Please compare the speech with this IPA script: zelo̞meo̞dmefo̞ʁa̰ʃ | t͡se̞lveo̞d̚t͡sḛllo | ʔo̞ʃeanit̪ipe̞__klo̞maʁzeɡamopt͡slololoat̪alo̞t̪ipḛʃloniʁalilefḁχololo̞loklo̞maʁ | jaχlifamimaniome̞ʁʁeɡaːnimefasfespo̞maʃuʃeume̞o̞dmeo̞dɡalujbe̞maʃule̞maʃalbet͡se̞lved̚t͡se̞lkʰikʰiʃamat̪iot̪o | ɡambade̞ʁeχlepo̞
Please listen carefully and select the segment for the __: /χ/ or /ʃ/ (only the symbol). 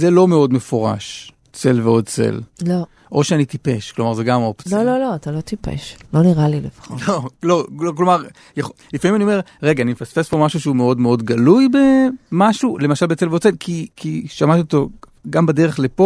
ʃ